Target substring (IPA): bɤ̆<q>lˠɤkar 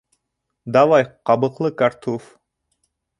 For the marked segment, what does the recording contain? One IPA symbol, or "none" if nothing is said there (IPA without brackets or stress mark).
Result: q